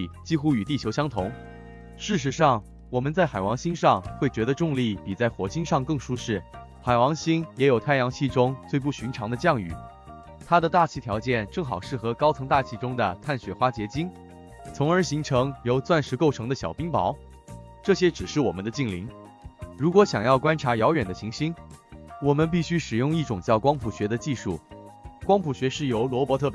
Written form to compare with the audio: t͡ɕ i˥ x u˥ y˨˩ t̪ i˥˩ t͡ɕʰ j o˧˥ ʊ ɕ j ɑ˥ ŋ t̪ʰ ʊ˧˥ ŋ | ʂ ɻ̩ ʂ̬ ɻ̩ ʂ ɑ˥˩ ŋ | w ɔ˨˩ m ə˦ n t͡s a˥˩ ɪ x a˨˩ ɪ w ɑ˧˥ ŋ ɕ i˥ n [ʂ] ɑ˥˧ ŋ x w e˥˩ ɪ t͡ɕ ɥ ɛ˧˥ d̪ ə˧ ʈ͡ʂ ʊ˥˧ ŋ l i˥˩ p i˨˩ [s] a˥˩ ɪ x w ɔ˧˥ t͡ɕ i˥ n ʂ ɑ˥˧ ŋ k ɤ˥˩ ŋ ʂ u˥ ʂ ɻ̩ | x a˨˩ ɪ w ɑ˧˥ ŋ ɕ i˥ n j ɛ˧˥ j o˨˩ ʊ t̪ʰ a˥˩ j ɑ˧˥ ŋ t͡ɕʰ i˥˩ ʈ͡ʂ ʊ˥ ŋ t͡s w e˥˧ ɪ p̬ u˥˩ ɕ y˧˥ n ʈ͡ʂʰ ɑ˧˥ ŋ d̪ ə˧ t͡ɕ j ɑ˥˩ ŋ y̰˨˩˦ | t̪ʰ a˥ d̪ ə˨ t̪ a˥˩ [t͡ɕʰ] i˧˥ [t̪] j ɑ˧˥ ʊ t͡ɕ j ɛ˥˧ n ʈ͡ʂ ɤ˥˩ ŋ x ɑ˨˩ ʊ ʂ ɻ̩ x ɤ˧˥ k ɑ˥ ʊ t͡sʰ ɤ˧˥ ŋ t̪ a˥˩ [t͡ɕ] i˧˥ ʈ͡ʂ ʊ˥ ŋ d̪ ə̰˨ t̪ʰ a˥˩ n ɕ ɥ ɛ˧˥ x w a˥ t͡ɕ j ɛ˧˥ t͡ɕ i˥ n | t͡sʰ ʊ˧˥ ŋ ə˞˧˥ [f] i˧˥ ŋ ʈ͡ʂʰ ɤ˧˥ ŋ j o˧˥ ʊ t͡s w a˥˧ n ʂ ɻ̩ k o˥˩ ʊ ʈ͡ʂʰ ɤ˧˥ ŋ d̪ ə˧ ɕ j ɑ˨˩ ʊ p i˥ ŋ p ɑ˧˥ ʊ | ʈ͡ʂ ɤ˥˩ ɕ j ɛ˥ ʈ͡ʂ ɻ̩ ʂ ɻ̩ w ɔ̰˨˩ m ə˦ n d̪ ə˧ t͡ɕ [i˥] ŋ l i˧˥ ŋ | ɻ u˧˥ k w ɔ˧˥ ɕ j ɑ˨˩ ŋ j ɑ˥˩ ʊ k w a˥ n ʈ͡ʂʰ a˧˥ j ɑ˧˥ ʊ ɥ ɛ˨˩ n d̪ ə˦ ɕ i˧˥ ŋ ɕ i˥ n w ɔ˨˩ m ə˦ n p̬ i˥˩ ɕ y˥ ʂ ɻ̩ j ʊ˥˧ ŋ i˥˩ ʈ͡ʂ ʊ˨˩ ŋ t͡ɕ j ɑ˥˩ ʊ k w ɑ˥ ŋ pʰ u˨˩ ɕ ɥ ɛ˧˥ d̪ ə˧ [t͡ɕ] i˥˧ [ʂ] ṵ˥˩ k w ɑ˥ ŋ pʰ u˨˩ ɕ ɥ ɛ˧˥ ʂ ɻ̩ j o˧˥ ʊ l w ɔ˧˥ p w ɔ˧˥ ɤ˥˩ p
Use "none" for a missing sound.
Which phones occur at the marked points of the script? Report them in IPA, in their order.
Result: ʂ, t͡s, t͡ɕʰ, t̪ʰ, t͡ɕʰ, ɕ, i˥˩, t͡ɕ, ʂ

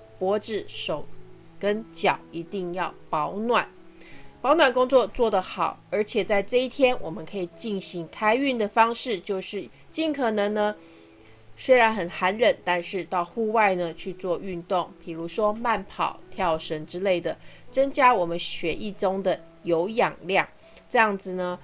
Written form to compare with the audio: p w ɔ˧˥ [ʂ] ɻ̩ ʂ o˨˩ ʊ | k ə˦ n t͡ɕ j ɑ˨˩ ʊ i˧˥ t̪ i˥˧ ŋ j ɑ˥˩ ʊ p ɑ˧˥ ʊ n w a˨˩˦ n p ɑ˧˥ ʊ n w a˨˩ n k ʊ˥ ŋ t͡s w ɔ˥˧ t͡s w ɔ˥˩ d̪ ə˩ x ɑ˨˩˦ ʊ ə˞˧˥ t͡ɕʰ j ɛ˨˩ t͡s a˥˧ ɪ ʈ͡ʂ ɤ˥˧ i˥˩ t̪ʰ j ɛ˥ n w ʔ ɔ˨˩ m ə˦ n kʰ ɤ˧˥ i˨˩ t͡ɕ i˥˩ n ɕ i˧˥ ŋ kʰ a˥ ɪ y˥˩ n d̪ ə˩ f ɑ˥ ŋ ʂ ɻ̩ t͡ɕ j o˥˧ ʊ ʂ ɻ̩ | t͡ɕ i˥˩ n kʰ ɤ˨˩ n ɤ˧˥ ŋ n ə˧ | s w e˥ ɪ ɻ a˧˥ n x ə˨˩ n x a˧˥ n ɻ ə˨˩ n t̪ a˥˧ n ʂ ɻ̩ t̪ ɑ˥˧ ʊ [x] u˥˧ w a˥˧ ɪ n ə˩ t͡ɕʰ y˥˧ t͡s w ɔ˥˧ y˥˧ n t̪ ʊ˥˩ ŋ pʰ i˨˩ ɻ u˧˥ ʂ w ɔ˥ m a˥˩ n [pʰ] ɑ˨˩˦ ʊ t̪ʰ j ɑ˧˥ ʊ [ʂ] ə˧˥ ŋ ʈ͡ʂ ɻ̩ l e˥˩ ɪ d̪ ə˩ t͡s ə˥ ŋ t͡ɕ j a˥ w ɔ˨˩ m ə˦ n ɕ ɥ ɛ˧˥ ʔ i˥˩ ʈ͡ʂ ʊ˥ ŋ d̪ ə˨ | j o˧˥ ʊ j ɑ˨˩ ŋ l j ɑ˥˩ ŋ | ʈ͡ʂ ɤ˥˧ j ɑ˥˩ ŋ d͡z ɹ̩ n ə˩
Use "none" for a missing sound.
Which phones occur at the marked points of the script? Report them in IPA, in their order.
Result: ʈ͡ʂ, x, pʰ, ʂ

